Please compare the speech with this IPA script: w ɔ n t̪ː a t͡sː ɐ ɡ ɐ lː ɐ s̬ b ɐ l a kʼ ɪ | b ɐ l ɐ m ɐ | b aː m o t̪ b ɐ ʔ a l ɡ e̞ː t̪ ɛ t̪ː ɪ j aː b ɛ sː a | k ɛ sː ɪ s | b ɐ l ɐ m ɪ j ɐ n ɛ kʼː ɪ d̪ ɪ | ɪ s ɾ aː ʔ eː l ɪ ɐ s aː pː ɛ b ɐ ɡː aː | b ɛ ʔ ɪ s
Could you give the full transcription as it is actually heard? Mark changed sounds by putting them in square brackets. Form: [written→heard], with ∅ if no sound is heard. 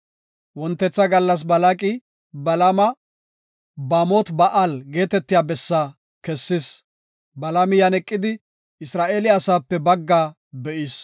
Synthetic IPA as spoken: w ɔ n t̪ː [a→ɛ] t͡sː ɐ ɡ ɐ lː ɐ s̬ b ɐ l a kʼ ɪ | b ɐ l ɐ m ɐ | b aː m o t̪ b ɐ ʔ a l ɡ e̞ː t̪ ɛ t̪ː ɪ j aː b ɛ sː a | k ɛ sː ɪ s | b ɐ l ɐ m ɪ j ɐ n ɛ kʼː ɪ d̪ ɪ | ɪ s ɾ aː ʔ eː l ɪ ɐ s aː pː ɛ b ɐ ɡː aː | b ɛ ʔ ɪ s

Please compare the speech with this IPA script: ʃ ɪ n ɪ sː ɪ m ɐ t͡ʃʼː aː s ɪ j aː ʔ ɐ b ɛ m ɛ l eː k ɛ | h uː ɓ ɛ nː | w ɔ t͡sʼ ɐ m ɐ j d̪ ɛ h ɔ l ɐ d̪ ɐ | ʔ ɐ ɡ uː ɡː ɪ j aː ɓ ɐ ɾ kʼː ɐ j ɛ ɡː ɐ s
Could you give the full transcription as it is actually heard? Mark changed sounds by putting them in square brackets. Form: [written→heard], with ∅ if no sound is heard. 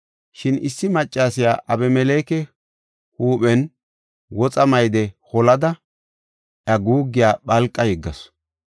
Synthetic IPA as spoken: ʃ ɪ n ɪ sː ɪ m ɐ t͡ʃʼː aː s ɪ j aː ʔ ɐ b ɛ m ɛ l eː k ɛ | h uː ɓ ɛ [nː→n] | w ɔ t͡sʼ ɐ m ɐ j d̪ ɛ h ɔ l ɐ d̪ ɐ | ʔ ɐ ɡ uː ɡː ɪ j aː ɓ ɐ [ɾ→l] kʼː ɐ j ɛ ɡː ɐ s

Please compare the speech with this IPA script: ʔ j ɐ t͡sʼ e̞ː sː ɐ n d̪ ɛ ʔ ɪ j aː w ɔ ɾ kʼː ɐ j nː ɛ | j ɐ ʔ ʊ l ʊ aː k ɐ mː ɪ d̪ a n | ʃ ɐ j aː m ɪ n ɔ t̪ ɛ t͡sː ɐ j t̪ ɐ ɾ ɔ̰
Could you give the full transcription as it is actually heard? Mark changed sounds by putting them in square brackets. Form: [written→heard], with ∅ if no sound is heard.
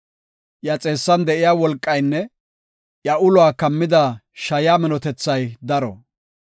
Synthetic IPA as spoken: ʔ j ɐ t͡sʼ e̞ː sː ɐ n d̪ ɛ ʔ ɪ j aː w ɔ [ɾ→l] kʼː ɐ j nː ɛ | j ɐ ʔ ʊ l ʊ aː k ɐ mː ɪ d̪ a [n→∅] | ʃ ɐ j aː m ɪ n ɔ t̪ ɛ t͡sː ɐ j [t̪→d̪] ɐ ɾ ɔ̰

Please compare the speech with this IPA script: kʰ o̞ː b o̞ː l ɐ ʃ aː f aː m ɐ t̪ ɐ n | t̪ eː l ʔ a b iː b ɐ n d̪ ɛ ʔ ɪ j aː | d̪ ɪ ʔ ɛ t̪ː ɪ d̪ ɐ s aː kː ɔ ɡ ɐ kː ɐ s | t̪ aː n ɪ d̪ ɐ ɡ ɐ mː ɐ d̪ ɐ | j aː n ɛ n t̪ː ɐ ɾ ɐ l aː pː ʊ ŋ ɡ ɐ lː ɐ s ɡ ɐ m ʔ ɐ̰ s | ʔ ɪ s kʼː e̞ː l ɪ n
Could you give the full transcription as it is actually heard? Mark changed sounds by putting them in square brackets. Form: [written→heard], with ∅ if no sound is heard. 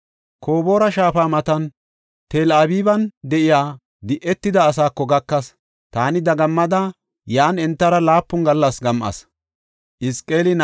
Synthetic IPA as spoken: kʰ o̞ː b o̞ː [l→ɾ] ɐ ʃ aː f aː m ɐ t̪ ɐ n | t̪ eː l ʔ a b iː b ɐ n d̪ ɛ ʔ ɪ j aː | d̪ ɪ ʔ ɛ t̪ː ɪ d̪ [ɐ→ɐː] s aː kː ɔ ɡ ɐ kː ɐ s | t̪ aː n ɪ d̪ ɐ ɡ ɐ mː ɐ d̪ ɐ | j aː n ɛ n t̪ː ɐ ɾ ɐ l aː pː ʊ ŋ ɡ ɐ lː ɐ s ɡ ɐ m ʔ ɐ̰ s | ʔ ɪ s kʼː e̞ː l ɪ n

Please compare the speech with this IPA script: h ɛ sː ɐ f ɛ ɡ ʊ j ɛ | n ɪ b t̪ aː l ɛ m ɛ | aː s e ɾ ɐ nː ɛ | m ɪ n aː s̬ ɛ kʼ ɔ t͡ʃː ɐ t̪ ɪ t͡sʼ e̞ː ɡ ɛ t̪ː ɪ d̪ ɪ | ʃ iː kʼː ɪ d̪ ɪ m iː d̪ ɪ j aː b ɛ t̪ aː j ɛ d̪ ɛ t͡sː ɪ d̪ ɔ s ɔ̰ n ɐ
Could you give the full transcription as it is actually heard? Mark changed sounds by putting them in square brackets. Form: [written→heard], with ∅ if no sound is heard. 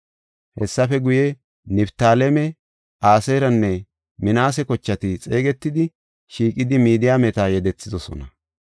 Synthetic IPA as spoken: h ɛ sː ɐ f ɛ ɡ ʊ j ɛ | n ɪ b t̪ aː l ɛ m ɛ | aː s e ɾ ɐ nː ɛ | m ɪ n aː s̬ ɛ [kʼ→k] ɔ t͡ʃː ɐ t̪ ɪ t͡sʼ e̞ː ɡ ɛ t̪ː ɪ d̪ ɪ | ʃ iː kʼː ɪ d̪ ɪ m iː d̪ ɪ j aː [b→m] ɛ t̪ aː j ɛ d̪ ɛ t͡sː ɪ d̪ ɔ s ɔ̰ n ɐ

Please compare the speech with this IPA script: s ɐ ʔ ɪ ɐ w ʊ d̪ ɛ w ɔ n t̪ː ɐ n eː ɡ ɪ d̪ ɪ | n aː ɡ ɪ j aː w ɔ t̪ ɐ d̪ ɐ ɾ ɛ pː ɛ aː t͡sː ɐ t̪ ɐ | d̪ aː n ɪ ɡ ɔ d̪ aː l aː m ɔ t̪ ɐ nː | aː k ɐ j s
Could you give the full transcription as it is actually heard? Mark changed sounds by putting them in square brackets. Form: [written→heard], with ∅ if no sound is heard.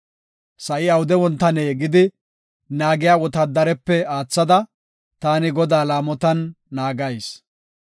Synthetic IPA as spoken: s ɐ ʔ ɪ ɐ w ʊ d̪ ɛ w ɔ n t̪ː ɐ n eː ɡ ɪ d̪ ɪ | n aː ɡ ɪ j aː w ɔ t̪ ɐ d̪ ɐ ɾ ɛ pː ɛ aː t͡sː ɐ [t̪→d̪] ɐ | [d̪→t̪] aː n ɪ ɡ ɔ d̪ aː l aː m ɔ t̪ ɐ nː | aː [k→ɡ] ɐ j s

